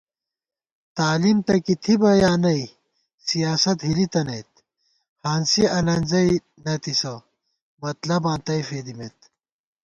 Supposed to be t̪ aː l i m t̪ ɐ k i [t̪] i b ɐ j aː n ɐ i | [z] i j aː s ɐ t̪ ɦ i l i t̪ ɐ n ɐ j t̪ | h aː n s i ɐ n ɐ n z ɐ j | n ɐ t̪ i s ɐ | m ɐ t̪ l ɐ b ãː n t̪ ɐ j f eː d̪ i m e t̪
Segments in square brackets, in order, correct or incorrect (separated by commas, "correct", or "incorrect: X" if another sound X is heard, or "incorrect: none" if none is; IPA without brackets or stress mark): incorrect: t̪ʰ, incorrect: s